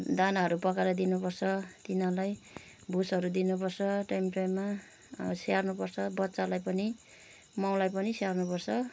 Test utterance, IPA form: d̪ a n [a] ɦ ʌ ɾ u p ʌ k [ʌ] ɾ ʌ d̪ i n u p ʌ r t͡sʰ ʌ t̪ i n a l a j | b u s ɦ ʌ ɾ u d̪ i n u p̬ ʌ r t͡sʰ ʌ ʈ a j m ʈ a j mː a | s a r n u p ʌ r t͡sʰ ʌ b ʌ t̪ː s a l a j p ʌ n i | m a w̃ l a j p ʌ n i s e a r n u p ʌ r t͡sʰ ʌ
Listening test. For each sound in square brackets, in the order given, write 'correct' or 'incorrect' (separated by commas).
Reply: correct, incorrect